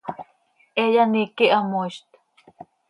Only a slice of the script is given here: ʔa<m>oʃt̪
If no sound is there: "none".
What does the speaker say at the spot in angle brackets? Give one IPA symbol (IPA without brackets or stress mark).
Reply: m